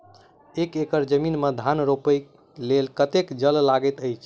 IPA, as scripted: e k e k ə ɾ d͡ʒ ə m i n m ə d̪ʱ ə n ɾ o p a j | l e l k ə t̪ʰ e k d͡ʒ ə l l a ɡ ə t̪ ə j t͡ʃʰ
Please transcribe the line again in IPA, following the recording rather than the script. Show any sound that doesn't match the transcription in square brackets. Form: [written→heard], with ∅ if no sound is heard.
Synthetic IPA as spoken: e k e k ə ɾ d͡ʒ ə m i n m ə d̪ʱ [ə→a] n ɾ o p [a→ə] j | l e l k ə [t̪ʰ→t̪] e k d͡ʒ ə l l a ɡ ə t̪ ə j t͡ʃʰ